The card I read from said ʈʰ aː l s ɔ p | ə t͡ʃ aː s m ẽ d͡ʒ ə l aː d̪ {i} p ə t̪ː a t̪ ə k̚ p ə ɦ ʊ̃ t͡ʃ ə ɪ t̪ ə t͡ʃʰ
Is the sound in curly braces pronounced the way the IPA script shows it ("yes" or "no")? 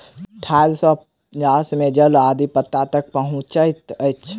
yes